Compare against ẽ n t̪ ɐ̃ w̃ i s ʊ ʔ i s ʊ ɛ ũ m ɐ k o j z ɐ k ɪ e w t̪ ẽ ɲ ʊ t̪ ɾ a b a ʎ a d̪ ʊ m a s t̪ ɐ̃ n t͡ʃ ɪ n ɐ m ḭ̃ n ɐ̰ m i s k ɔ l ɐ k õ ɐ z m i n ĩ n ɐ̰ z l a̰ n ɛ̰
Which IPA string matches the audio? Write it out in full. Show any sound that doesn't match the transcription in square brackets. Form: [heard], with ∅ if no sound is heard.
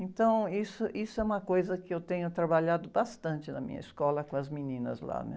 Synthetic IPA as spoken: ẽ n t̪ ɐ̃ w̃ i s ʊ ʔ i s ʊ ɛ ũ m ɐ k o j z ɐ k ɪ e w t̪ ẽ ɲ ʊ t̪ ɾ a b a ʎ a d̪ ʊ [b] a s t̪ ɐ̃ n t͡ʃ ɪ n ɐ m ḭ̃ [ɲ] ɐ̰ [∅] i s k ɔ l ɐ k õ ɐ z m i n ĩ n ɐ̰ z l a̰ n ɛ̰